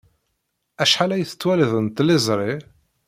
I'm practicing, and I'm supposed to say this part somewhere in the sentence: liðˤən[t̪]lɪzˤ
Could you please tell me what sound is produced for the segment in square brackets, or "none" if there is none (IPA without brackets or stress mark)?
t̪